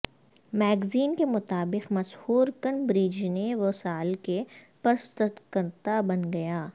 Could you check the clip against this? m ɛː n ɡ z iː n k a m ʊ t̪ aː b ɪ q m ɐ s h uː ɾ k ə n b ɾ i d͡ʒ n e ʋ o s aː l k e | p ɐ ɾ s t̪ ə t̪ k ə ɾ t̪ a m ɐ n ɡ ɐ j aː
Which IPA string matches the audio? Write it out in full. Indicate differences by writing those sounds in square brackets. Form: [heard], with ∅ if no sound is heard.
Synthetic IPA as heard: m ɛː [∅] ɡ z iː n k [e] m ʊ t̪ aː b ɪ q m ɐ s h uː ɾ k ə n b ɾ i d͡ʒ n e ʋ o s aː l k e | p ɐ ɾ s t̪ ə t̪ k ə ɾ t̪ a [b] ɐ n ɡ ɐ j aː